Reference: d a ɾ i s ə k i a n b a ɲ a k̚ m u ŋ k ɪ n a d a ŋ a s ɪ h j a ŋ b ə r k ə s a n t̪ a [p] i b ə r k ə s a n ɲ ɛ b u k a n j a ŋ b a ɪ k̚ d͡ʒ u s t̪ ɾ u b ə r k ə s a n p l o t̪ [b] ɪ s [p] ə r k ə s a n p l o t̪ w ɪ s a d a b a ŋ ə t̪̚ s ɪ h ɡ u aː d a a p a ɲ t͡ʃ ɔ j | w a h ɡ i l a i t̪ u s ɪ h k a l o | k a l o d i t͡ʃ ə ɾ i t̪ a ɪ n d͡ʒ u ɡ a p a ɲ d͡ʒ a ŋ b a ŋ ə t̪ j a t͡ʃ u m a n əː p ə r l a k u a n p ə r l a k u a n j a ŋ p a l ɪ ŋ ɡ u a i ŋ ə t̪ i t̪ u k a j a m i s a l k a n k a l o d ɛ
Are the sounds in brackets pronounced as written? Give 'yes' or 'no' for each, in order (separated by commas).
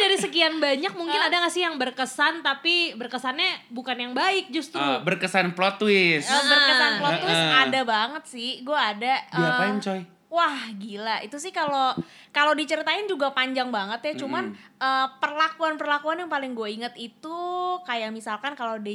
yes, no, no